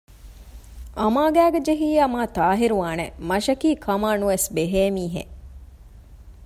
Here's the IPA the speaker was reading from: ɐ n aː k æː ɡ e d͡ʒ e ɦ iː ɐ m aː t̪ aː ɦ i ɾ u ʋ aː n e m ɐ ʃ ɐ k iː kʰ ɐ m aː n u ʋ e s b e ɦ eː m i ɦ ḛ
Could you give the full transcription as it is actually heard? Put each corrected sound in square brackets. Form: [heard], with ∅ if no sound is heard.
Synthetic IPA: ɐ [m] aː [ɡ] æː ɡ e d͡ʒ e ɦ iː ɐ m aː t̪ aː ɦ i ɾ u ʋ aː n e m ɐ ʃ ɐ k iː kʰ ɐ m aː n u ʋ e s b e ɦ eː m [iː] ɦ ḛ